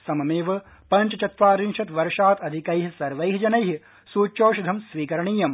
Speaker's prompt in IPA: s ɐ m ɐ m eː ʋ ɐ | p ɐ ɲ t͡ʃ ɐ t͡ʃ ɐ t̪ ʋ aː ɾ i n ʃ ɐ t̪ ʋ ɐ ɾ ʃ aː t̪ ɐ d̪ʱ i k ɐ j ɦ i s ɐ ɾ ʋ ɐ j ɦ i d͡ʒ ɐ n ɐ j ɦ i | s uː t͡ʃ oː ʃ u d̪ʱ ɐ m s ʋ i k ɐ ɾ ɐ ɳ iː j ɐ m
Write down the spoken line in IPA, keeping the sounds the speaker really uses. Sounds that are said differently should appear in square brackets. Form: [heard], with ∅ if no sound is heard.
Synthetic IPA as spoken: s ɐ m ɐ m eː ʋ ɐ | p ɐ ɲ t͡ʃ ɐ t͡ʃ ɐ t̪ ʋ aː ɾ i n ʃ ɐ t̪ ʋ ɐ ɾ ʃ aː t̪ ɐ d̪ʱ i k ɐ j ɦ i s ɐ ɾ ʋ ɐ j ɦ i d͡ʒ ɐ n ɐ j ɦ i | s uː t͡ʃ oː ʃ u d̪ʱ ɐ m s ʋ [iː] k ɐ ɾ ɐ ɳ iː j ɐ m

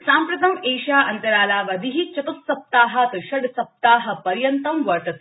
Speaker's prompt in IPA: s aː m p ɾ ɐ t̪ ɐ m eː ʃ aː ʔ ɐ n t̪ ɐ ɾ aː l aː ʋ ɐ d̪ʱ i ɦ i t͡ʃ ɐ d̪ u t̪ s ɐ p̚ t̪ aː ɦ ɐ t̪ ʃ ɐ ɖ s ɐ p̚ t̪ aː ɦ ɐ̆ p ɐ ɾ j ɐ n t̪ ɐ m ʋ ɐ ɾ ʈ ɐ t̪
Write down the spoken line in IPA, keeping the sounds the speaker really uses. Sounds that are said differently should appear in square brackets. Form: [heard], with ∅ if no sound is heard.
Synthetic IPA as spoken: s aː m p ɾ ɐ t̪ ɐ m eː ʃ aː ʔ ɐ n t̪ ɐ ɾ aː l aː ʋ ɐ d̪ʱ i ɦ i t͡ʃ ɐ [t̪] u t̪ s ɐ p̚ t̪ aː ɦ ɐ t̪ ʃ ɐ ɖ s ɐ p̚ t̪ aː ɦ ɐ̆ p ɐ ɾ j ɐ n t̪ ɐ m ʋ ɐ ɾ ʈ ɐ t̪

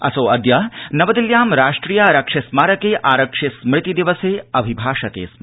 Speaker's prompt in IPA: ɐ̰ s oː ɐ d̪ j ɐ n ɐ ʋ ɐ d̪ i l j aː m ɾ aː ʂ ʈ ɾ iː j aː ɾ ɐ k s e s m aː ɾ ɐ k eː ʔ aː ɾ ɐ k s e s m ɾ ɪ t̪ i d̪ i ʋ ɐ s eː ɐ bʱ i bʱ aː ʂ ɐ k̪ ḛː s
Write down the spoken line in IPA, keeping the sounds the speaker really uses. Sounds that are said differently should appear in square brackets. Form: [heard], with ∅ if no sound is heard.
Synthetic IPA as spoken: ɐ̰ s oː ɐ d̪ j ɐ n ɐ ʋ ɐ d̪ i l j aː m ɾ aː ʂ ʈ ɾ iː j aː ɾ ɐ k [ʂ] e s m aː ɾ ɐ k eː ʔ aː ɾ ɐ k [ʂ] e s m ɾ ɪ t̪ i d̪ i ʋ ɐ s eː ɐ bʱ i bʱ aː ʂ ɐ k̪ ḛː s

